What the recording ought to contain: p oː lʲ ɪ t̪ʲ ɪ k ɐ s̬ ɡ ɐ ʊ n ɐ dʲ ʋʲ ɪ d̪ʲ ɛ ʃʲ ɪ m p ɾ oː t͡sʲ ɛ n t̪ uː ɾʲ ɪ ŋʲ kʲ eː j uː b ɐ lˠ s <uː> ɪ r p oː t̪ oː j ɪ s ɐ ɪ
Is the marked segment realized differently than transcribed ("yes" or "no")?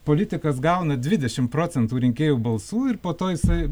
no